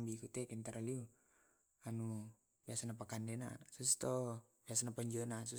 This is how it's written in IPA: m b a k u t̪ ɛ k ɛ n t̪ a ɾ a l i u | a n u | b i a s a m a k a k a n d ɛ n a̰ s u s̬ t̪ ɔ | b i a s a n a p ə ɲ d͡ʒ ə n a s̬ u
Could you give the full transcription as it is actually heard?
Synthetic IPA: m b i k u t̪ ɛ k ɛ n t̪ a ɾ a l i u | a n u | b i a s a n a p a k a n d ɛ n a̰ s u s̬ t̪ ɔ | b i a s a n a p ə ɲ d͡ʒ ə n a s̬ u